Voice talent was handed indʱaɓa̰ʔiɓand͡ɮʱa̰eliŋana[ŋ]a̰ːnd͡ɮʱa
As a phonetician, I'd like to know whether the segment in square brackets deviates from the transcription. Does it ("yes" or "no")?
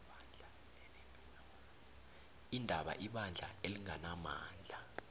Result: yes